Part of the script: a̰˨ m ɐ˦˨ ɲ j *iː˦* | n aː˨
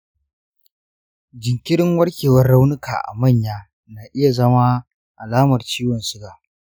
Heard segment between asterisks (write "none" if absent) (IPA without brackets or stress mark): aː˦